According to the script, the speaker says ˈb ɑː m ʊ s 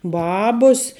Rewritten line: ˈb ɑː b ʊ s